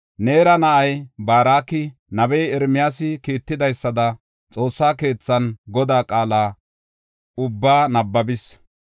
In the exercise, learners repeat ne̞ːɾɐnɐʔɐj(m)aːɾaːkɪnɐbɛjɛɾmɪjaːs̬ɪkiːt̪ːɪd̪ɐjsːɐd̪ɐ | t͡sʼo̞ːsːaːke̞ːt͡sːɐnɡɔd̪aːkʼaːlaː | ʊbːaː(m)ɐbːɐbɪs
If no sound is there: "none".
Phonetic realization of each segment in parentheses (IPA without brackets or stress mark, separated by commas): b, n